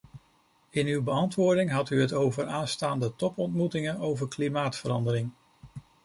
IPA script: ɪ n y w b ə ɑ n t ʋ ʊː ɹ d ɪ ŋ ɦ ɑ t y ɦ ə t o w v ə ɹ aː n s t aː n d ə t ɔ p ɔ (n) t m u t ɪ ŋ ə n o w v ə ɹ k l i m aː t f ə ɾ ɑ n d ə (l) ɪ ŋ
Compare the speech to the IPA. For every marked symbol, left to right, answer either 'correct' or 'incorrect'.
correct, incorrect: ɾ

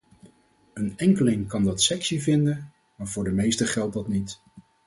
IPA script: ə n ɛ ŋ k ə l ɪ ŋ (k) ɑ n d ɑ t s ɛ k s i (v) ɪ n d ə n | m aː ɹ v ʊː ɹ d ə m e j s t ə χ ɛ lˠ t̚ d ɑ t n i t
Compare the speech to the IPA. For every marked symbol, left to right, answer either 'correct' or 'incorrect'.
correct, correct

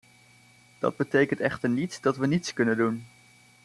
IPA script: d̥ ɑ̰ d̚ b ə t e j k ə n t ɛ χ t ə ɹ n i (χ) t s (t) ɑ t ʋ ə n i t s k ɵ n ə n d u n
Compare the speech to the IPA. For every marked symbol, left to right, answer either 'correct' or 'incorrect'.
incorrect: none, incorrect: d

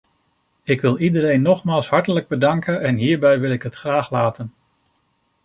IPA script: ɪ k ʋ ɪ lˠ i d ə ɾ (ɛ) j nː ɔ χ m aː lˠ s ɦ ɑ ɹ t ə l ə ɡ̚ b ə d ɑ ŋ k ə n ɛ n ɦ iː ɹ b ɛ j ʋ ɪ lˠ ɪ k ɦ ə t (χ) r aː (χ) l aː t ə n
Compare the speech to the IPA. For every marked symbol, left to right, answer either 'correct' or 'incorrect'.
incorrect: e, correct, correct

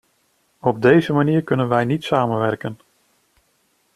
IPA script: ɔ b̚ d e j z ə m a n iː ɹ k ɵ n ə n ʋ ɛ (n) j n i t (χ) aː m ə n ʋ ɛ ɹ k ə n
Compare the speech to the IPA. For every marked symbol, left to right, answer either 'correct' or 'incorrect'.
incorrect: none, incorrect: s

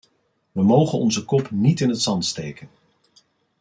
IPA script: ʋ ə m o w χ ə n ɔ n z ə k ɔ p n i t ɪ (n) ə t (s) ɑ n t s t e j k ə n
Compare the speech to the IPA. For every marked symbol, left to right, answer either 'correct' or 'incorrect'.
correct, correct

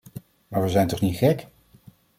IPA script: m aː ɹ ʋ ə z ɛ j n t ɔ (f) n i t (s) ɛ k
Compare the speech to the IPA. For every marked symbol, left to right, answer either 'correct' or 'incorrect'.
incorrect: χ, incorrect: χ

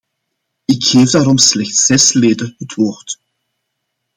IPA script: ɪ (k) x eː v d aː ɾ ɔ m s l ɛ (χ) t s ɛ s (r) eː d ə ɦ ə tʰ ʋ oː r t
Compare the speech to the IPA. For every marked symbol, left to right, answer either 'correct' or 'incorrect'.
correct, incorrect: x, incorrect: l

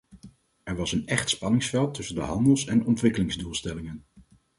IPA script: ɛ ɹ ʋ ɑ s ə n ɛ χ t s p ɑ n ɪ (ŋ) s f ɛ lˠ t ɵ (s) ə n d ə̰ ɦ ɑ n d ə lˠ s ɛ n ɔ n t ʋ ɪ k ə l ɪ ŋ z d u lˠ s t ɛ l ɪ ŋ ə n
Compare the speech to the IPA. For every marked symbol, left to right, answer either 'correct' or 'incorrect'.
correct, correct

